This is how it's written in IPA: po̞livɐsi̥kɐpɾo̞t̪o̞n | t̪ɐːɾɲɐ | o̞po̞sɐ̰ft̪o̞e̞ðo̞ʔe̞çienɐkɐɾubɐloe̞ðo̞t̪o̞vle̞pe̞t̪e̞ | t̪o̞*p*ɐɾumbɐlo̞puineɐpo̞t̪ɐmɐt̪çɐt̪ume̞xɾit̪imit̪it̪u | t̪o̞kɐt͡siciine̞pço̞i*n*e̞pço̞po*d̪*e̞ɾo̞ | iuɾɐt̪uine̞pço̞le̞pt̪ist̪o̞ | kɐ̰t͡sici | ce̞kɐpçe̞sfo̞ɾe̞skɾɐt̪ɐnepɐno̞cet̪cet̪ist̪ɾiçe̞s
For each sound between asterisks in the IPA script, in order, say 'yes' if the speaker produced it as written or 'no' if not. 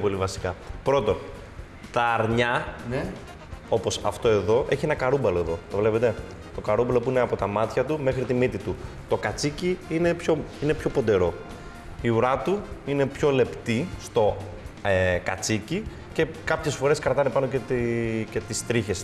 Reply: no, yes, yes

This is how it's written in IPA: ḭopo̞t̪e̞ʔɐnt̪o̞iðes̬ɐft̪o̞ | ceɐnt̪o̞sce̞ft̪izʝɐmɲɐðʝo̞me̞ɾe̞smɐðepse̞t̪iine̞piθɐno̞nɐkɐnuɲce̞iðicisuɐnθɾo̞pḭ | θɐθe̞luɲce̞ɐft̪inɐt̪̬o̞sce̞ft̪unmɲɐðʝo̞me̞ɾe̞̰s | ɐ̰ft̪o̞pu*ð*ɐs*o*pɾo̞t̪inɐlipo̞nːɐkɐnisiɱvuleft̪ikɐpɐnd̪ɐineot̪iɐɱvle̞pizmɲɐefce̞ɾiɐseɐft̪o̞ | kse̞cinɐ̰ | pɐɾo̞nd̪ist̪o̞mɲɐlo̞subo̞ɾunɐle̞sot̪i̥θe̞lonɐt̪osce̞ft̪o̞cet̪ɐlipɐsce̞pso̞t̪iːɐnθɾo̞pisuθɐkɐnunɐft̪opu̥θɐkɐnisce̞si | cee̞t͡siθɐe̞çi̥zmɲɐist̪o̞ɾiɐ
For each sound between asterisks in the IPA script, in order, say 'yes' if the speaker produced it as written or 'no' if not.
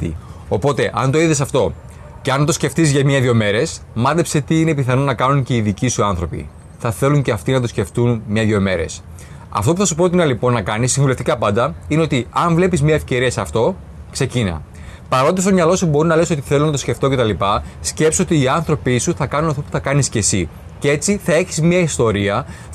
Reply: no, no

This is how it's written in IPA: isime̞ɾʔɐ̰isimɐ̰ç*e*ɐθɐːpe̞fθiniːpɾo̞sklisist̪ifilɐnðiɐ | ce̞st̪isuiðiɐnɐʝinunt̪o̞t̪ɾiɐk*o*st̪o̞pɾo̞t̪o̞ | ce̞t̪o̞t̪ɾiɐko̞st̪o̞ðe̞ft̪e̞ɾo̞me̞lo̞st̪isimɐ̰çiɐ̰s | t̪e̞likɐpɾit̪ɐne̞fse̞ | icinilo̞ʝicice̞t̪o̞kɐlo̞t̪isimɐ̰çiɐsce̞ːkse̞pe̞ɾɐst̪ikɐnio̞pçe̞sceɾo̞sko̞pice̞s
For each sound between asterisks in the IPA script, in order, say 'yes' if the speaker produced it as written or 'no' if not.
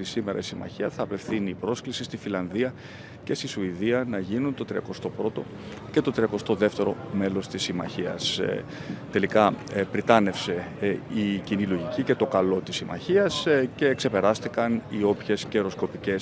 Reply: no, yes

